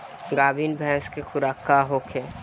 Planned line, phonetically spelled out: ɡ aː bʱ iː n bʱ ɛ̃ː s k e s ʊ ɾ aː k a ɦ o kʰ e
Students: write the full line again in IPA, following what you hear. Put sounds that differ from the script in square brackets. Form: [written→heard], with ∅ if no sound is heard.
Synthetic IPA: ɡ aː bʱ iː n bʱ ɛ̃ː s k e [s→x] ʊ ɾ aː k a ɦ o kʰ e